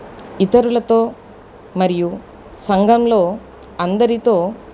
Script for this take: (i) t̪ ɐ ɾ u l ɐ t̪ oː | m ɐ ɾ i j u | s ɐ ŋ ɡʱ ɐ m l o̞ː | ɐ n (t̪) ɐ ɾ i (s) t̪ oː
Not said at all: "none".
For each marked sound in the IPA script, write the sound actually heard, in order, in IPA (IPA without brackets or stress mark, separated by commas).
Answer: i, d̪, none